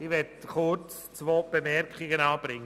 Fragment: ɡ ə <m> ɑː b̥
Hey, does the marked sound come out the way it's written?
no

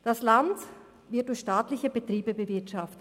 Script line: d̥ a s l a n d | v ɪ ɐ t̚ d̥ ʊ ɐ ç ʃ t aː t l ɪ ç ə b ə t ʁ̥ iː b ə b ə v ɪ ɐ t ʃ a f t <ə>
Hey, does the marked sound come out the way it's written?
yes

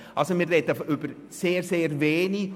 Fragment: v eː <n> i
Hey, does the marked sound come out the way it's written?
yes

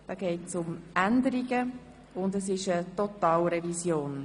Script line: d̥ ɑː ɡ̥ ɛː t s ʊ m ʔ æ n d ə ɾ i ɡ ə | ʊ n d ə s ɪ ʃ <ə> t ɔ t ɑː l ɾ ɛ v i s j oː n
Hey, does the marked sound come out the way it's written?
yes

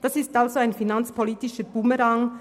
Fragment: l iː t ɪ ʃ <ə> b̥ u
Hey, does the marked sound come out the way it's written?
yes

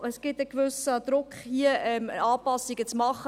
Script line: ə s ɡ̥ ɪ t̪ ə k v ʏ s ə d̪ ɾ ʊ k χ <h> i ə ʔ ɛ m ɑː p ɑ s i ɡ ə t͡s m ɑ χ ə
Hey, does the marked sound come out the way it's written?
yes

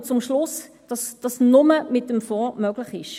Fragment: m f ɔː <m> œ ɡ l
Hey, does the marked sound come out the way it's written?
yes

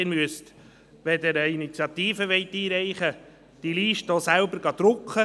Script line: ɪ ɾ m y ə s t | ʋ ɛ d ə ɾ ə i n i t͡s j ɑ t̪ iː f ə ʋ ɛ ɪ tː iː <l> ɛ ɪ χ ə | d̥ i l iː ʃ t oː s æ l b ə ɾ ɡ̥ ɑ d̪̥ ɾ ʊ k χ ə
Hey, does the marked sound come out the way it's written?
no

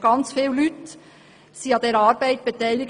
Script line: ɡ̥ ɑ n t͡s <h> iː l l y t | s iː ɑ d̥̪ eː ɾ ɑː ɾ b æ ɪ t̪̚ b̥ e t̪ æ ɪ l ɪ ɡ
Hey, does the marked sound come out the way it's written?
no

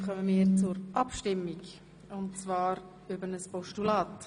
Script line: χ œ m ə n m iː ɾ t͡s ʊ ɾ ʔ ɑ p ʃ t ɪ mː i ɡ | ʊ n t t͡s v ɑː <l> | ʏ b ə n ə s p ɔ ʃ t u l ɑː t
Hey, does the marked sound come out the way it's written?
no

